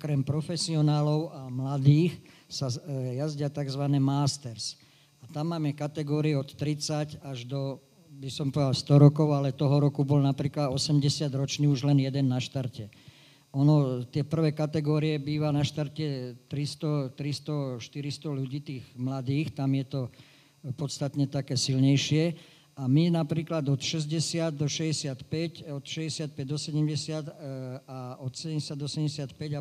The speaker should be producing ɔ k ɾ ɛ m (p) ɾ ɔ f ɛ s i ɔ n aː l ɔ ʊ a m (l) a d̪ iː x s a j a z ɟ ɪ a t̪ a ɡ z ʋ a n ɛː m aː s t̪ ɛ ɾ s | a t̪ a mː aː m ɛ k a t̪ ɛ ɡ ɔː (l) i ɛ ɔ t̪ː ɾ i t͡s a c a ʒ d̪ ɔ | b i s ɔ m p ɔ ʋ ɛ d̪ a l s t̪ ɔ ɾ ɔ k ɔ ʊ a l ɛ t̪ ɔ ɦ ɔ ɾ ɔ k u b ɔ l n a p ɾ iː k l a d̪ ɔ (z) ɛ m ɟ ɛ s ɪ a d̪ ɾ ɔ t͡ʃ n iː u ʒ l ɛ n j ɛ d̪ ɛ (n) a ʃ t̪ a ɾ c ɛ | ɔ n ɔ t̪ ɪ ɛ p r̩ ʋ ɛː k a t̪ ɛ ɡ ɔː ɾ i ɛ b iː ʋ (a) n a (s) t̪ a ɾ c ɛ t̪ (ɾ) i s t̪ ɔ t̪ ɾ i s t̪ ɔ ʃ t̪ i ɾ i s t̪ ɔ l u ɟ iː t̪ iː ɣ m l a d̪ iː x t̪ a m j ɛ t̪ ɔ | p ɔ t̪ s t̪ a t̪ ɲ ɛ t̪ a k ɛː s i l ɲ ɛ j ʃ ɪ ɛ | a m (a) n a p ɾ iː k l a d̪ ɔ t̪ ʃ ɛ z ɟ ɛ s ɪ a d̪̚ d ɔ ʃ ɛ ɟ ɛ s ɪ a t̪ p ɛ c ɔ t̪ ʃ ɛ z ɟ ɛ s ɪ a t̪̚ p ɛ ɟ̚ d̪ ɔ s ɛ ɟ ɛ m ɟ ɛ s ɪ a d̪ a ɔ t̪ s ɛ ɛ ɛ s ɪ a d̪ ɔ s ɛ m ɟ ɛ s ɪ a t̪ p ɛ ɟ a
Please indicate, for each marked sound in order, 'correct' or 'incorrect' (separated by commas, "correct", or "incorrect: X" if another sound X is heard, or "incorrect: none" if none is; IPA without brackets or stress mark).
correct, correct, incorrect: ɾ, incorrect: s, incorrect: nː, correct, incorrect: ʃ, correct, incorrect: i